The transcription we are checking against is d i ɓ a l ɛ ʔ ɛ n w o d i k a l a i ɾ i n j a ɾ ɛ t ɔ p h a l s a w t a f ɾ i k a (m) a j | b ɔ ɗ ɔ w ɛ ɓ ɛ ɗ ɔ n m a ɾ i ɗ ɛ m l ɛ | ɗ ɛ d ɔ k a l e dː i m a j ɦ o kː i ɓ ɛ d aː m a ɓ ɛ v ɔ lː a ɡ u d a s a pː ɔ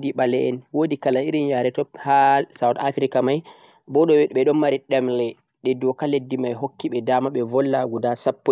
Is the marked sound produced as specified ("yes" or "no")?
yes